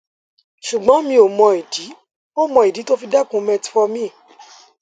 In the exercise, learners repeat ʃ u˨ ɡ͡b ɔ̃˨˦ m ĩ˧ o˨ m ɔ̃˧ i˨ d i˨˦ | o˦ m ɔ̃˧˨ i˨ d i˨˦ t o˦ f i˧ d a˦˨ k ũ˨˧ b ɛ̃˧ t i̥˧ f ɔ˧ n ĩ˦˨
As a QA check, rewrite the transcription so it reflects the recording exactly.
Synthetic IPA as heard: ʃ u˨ ɡ͡b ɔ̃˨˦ m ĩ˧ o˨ m ɔ̃˧ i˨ d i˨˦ | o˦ m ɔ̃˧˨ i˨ d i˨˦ t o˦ f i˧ d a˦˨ k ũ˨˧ m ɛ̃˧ t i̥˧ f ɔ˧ m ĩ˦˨